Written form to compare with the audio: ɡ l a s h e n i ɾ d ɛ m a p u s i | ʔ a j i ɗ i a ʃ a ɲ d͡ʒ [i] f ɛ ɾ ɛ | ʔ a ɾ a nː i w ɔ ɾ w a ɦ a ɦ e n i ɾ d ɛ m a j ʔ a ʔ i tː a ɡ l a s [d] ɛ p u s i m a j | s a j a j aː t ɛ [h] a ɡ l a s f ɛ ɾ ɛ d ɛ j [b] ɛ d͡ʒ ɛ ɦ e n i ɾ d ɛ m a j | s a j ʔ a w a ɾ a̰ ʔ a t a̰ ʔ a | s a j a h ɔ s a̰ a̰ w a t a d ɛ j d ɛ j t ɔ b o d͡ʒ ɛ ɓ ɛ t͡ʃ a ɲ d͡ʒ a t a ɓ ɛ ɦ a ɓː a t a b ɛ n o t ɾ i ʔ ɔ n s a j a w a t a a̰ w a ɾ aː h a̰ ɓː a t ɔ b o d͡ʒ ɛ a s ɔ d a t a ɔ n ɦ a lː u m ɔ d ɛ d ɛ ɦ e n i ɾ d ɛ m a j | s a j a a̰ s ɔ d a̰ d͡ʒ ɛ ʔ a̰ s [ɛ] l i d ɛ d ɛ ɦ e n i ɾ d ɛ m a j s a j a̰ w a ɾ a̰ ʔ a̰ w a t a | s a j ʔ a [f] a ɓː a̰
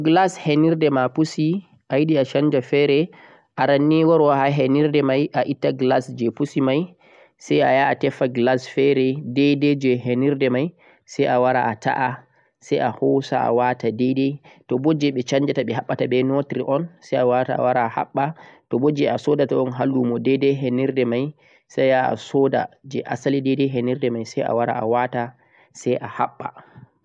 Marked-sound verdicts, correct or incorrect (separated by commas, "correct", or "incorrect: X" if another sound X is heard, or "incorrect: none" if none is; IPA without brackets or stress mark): incorrect: a, incorrect: d͡ʒ, incorrect: f, incorrect: d, incorrect: a, incorrect: h